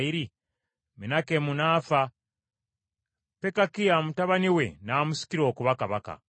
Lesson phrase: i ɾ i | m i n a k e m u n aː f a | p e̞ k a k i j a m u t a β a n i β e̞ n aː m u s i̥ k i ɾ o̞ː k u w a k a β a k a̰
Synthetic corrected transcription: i ɾ i | m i n a k e m u n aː f a | p e̞ k a k i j a m u t a β a n i w e̞ n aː m u s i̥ k i ɾ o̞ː k u β a k a β a k a̰

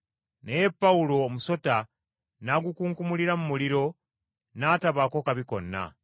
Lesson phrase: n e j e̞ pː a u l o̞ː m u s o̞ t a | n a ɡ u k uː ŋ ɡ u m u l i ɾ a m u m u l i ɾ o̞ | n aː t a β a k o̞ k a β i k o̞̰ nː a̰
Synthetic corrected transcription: n e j e̞ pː a u l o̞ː m u s o̞ t a | n a ɡ u k uː ŋ k u m u l i ɾ a m u m u l i ɾ o̞ | n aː t a β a k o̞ k a β i k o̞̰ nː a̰

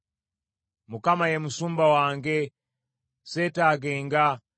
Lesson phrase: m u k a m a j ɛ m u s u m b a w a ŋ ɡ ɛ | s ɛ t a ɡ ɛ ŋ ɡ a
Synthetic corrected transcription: m u k a m a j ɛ m u s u m b a w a ŋ ɡ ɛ | s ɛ t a ɡ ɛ ŋ ɡ a

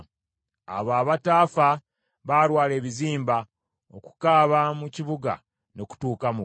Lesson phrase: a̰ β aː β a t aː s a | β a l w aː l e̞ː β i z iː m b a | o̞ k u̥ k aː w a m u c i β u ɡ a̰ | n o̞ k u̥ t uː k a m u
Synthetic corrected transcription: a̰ β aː β a t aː f a | β a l w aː l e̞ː β i z iː m b a | o̞ k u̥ k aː β a m u c i β u ɡ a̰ | n o̞ k u̥ t uː k a m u

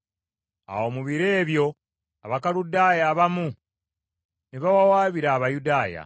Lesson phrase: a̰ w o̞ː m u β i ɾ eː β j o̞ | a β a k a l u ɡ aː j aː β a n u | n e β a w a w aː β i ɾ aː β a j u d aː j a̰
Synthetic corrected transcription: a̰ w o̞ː m u β i ɾ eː β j o̞ | a β a k a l u d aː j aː β a m u | n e β a w a w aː β i ɾ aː β a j u d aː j a̰

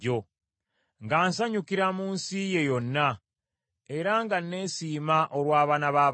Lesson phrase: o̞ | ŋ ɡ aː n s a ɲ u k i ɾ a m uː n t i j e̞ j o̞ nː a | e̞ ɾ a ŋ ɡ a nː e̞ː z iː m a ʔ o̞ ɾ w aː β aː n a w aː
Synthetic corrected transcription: o̞ | ŋ ɡ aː n s a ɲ u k i ɾ a m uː n s i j e̞ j o̞ nː a | e̞ ɾ a ŋ ɡ a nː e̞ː s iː m a ʔ o̞ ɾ w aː β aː n a β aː

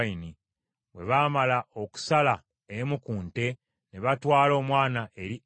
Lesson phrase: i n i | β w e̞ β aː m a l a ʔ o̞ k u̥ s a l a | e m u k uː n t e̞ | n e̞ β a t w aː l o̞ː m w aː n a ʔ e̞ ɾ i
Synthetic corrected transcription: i n i | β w e̞ β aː m a l a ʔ o̞ k u̥ s a l a | e m u k uː n t e̞ | n e̞ β a t w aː l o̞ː m w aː n a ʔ e̞ ɾ i

